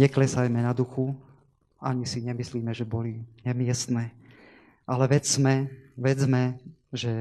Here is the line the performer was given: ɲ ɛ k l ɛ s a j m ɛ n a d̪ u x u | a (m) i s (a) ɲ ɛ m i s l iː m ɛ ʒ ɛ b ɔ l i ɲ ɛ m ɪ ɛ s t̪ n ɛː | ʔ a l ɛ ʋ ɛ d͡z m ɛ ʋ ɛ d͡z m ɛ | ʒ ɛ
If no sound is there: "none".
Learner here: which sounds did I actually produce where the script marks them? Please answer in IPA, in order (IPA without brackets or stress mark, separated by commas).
ɲ, i